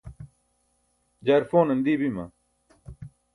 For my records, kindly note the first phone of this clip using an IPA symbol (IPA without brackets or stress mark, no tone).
d͡ʑ